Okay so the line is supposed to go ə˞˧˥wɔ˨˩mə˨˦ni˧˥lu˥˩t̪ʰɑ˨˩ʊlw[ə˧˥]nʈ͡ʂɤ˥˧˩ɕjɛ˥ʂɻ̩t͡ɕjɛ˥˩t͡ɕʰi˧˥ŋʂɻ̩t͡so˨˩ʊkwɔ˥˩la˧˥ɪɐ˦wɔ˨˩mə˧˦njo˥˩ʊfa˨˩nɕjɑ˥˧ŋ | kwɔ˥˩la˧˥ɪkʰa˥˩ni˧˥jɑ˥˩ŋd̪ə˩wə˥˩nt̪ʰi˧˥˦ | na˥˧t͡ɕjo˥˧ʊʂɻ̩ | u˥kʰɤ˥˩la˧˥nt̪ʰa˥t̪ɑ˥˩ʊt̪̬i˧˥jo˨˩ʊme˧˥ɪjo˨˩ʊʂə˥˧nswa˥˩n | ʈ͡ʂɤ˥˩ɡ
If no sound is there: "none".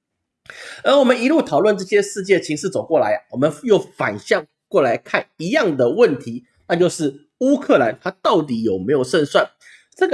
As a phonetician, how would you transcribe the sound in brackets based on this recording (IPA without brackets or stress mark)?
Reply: ə˥˧